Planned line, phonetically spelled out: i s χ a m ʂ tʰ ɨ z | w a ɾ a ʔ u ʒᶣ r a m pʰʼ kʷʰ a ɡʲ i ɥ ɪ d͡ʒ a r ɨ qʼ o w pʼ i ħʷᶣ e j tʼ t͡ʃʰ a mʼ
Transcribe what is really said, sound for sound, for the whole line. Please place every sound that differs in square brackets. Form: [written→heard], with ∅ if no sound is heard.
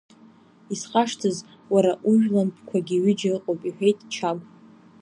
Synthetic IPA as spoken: i s χ a [m→∅] ʂ tʰ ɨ z | w a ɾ a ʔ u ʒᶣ [r→l] a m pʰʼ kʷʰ a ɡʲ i ɥ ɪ d͡ʒ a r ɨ qʼ o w pʼ i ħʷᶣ e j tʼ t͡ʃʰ a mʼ